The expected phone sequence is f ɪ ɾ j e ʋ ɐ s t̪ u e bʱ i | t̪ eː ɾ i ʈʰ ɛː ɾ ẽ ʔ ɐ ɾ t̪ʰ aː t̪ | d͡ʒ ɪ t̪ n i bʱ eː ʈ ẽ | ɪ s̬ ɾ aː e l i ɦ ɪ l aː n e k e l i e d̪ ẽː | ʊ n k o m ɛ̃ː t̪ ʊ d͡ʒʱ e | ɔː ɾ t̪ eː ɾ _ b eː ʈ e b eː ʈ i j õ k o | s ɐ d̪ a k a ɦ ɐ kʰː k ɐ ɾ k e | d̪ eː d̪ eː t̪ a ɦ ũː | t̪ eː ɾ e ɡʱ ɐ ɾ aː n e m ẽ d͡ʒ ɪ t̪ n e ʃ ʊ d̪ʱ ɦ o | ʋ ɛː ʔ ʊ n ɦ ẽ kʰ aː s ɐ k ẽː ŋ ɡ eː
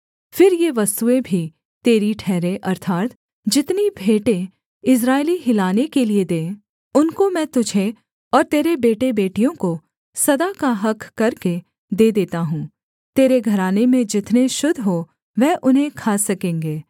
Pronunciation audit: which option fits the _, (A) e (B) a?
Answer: A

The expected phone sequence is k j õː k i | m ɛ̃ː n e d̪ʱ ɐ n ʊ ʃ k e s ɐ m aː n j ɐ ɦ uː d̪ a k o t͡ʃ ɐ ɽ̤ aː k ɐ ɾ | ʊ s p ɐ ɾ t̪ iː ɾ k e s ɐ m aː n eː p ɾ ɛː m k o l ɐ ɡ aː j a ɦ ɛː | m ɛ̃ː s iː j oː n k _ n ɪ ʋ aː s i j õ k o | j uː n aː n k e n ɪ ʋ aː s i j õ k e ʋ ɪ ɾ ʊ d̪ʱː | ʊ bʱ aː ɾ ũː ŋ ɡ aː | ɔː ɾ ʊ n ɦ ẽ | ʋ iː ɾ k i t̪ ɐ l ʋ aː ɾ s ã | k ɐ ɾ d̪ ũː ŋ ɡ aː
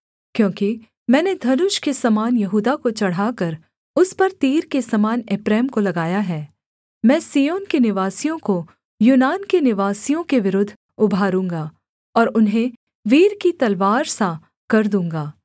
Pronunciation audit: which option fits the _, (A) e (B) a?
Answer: A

